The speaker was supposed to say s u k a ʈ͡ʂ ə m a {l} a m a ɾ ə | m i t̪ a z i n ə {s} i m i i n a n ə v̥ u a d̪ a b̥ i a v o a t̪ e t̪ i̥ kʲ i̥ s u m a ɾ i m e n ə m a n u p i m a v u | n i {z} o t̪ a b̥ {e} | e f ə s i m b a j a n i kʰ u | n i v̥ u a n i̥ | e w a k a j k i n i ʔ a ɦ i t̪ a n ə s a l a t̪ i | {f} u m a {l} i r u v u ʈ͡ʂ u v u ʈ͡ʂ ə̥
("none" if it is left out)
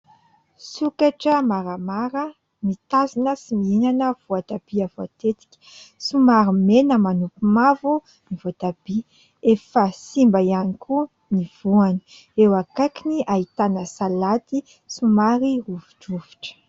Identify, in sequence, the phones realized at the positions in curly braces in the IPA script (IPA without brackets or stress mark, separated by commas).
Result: ɾ, s, v, i, s, ɾ